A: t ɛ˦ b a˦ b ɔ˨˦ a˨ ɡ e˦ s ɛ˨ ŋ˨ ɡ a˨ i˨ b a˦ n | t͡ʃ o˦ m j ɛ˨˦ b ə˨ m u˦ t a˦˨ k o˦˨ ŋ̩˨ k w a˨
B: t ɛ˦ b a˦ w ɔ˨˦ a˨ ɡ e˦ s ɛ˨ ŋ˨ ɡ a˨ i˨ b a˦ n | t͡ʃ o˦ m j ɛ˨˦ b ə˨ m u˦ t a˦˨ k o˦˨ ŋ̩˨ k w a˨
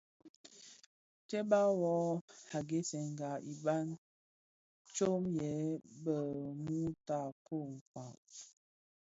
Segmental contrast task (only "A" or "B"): B